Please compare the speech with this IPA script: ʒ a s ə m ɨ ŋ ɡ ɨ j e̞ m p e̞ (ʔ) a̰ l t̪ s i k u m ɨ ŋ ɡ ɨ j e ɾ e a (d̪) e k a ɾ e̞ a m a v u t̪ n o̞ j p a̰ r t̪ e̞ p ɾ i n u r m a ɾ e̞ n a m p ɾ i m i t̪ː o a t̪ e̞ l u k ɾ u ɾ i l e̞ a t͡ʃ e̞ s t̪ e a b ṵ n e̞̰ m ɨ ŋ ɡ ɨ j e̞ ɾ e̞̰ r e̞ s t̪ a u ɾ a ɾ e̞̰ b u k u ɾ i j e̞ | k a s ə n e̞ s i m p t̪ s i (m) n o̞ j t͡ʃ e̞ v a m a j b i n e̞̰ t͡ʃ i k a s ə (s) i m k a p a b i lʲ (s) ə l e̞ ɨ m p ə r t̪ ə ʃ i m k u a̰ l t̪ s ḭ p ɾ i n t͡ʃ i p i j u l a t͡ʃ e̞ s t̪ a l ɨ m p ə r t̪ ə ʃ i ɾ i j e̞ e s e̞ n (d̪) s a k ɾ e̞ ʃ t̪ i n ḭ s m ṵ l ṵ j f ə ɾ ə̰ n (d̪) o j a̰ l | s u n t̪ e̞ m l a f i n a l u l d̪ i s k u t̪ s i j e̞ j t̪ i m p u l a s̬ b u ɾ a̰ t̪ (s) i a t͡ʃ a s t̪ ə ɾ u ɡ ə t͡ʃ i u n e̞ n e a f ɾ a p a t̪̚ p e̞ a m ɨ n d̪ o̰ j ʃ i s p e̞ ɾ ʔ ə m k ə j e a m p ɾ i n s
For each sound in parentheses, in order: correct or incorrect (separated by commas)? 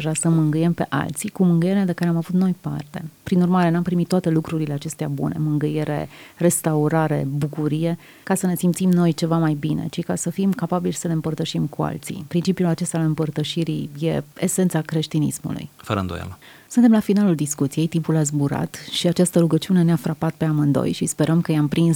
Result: correct, correct, correct, incorrect, correct, incorrect, correct, incorrect